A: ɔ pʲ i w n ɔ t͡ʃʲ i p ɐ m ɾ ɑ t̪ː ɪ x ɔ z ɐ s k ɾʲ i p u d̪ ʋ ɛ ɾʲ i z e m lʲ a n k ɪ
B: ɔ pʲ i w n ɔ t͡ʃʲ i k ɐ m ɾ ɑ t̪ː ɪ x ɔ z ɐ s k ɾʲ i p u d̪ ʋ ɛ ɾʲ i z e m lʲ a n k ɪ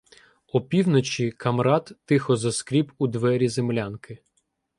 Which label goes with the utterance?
B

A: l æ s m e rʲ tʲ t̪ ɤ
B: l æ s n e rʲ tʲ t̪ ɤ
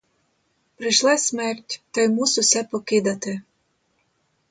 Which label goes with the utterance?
A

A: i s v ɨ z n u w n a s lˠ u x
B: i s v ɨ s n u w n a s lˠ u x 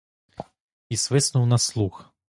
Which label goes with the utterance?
B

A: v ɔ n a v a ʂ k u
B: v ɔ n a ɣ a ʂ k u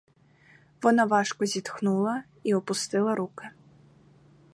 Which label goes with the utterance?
A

